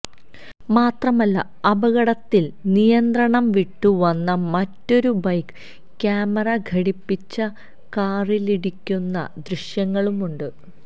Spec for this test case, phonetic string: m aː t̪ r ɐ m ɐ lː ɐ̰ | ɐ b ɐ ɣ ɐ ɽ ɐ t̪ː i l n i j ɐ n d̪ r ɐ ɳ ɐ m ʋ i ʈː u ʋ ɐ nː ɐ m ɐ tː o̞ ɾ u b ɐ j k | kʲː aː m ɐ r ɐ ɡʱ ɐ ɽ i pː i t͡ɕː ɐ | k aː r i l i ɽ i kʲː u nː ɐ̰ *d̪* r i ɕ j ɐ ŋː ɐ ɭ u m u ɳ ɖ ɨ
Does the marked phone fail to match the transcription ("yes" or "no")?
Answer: no